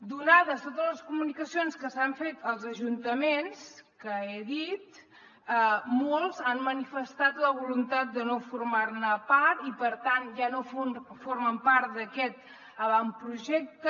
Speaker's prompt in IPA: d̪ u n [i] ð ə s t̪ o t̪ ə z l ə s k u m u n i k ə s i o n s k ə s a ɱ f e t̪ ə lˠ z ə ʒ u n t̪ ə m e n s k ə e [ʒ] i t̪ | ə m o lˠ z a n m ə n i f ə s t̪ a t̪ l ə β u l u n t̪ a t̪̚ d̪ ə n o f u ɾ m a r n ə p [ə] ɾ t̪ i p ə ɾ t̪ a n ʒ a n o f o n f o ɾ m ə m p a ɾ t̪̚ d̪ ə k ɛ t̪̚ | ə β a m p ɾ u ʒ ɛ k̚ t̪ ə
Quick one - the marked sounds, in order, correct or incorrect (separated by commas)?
incorrect, incorrect, incorrect